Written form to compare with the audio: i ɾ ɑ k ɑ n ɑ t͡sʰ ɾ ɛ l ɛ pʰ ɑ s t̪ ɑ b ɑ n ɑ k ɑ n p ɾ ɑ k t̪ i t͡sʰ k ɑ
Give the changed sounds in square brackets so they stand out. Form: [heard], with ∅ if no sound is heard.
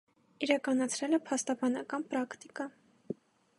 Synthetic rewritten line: i ɾ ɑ k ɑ n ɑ t͡sʰ ɾ ɛ l ɛ pʰ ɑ s t̪ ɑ b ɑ n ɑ k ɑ n p ɾ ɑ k t̪ i [∅] k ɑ